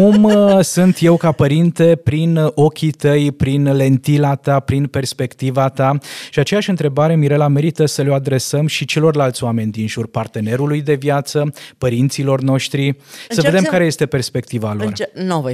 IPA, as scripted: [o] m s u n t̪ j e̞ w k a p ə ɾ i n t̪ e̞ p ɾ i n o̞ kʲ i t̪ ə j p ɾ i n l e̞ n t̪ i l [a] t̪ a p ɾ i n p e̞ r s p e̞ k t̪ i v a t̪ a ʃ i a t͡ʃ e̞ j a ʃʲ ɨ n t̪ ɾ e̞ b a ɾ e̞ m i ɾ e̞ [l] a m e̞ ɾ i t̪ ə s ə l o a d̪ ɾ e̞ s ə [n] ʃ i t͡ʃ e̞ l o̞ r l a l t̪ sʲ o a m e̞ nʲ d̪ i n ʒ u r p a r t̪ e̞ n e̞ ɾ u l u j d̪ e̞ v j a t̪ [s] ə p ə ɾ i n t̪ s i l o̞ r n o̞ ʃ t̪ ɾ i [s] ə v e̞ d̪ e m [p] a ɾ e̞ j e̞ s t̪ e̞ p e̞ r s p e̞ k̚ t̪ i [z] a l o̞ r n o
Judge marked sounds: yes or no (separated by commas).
no, yes, yes, no, yes, yes, no, no